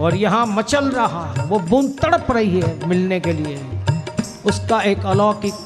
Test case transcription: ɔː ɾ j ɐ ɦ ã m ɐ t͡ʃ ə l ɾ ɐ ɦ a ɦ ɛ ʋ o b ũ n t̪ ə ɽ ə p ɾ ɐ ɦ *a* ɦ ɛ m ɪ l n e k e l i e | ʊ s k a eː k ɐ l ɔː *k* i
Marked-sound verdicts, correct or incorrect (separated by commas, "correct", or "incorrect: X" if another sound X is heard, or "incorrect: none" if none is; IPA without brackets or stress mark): incorrect: i, correct